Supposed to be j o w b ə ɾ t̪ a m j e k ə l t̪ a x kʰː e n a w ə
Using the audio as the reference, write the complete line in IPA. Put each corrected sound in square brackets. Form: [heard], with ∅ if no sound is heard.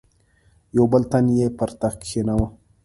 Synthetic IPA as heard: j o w b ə [l] t̪ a [n] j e [p] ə [ɾ] t̪ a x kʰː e n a w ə

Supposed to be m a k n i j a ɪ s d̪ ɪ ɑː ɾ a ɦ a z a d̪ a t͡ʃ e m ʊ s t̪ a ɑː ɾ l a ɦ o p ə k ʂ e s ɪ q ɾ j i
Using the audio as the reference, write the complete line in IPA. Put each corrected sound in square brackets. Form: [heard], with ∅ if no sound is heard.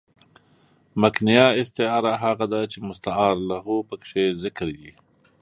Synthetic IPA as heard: m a k n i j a ɪ s [t̪] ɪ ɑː ɾ a ɦ a [ɣ] a d̪ a t͡ʃ e m ʊ s t̪ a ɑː ɾ l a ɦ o p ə k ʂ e [z] ɪ [k] ɾ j i

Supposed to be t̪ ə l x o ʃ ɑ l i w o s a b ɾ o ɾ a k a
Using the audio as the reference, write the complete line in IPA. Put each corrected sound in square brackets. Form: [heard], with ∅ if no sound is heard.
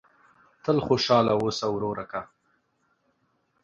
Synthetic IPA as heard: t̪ ə l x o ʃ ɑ l [a] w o s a [w] ɾ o ɾ a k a

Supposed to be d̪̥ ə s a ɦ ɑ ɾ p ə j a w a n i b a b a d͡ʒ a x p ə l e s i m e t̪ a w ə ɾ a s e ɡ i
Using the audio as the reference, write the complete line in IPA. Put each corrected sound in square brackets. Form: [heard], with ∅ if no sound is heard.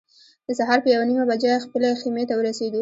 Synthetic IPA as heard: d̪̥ ə s a ɦ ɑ ɾ p ə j a w a n i [m] a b a d͡ʒ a x p ə l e [x] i m e t̪ a w ə ɾ a s e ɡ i

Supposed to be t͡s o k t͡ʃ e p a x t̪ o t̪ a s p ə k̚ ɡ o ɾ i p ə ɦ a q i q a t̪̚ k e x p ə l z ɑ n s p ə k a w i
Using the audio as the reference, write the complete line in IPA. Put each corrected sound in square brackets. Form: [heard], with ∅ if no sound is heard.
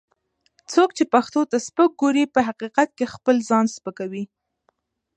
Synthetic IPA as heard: t͡s o k t͡ʃ e p a x t̪ o t̪ a s p ə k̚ ɡ o ɾ i p ə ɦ a q i q a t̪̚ k e x p ə l z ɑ n s p ə k a w i

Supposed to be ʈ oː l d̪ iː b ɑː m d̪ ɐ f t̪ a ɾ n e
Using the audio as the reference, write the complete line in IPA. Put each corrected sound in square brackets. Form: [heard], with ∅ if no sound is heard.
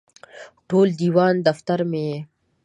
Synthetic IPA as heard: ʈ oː l d̪ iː [w] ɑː [n] d̪ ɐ f t̪ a ɾ [m] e

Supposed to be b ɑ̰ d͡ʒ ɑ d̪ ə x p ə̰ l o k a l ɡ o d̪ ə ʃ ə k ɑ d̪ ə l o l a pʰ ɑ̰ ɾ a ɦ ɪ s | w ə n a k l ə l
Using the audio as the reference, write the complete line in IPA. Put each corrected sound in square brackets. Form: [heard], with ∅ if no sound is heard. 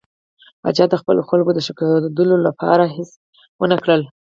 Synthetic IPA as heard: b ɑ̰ d͡ʒ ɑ d̪ ə x p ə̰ l o [x] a l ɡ o d̪ ə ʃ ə k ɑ d̪ ə l o l a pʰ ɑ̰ ɾ a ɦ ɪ s | w ə n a k [ɽ] ə l

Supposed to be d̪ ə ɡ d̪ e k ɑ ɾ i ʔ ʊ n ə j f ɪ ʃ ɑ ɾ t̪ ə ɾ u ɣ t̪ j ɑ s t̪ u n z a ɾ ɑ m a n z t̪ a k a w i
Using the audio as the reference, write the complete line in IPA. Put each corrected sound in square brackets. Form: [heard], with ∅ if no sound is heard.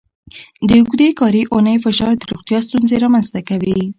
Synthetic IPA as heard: d̪ ə ɡ d̪ e k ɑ ɾ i ʔ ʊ n ə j f ɪ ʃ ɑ ɾ [d̪] ə ɾ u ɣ t̪ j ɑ s t̪ u n z [e] ɾ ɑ m a n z t̪ a k a w i

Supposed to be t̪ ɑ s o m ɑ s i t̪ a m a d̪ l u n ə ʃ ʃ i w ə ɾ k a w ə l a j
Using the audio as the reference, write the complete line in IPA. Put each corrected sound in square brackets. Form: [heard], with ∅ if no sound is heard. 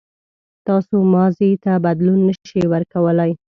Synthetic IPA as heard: t̪ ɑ s o m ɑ [z] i t̪ a [b] a d̪ l u [nː] ə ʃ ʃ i w ə ɾ k a w ə l a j

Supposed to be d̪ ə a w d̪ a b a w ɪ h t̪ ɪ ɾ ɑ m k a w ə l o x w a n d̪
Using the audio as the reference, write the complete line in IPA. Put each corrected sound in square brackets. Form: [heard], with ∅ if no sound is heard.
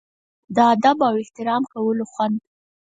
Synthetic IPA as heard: d̪ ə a [∅] d̪ a b a w ɪ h t̪ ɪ ɾ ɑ m k a w ə l o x w a n d̪

